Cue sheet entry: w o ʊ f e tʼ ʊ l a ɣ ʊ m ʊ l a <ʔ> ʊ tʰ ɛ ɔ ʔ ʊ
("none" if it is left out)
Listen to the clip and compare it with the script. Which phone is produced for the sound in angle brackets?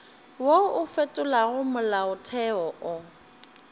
none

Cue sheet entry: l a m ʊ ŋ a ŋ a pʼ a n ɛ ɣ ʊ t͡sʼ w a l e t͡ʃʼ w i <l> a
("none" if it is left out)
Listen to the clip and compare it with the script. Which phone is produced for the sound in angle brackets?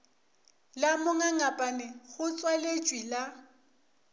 l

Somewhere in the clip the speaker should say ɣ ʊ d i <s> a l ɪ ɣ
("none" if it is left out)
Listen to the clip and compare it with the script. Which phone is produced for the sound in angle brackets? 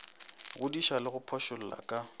ʃ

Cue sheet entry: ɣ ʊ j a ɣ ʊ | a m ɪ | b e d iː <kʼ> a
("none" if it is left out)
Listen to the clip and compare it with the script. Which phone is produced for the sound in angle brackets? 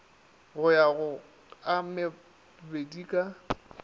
kʼ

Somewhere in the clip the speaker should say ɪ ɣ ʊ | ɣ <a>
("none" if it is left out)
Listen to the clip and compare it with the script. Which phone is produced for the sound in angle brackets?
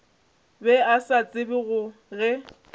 ɛ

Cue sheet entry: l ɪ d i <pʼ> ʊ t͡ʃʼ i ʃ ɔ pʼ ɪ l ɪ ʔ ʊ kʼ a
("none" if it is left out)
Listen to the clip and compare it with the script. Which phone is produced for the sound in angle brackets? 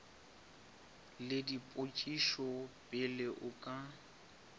pʼ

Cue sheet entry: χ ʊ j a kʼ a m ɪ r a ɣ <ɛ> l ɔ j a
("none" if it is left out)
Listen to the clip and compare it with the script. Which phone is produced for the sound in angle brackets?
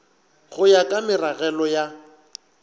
ɛ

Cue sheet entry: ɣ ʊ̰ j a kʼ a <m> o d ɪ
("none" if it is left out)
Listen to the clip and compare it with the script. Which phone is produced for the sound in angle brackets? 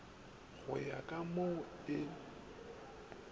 m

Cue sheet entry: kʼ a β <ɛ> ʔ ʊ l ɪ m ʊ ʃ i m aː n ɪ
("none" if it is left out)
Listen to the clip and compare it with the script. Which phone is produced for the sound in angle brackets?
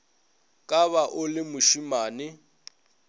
a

